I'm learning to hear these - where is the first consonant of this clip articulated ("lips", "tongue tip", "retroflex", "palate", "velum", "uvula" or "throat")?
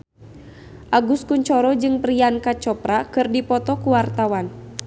throat